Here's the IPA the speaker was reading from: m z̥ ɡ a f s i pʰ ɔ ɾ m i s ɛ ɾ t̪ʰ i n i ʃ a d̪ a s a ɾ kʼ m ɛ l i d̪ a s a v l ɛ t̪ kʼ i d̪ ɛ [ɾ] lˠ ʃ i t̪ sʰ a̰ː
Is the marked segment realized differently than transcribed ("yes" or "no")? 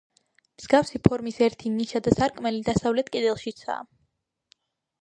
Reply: yes